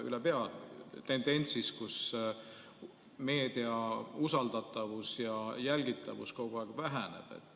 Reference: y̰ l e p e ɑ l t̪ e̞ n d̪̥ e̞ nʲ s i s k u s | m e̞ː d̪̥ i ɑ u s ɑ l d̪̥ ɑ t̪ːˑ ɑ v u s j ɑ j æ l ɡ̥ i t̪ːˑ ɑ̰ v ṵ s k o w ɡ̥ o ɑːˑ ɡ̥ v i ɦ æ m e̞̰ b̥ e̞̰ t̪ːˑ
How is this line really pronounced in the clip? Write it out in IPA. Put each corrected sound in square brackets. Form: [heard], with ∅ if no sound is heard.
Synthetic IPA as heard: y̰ l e p e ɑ l t̪ e̞ n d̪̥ e̞ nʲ s i s k u s | m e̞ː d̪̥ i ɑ u s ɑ l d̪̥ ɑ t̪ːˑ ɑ v u s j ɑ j æ l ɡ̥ i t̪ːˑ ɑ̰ v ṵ s k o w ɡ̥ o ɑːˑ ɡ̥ v [æ] ɦ æ [n] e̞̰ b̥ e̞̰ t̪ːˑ